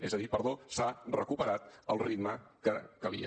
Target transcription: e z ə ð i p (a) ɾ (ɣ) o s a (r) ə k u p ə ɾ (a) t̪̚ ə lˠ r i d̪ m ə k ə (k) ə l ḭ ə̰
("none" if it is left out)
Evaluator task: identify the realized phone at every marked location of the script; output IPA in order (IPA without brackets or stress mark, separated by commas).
ə, ð, r, a, k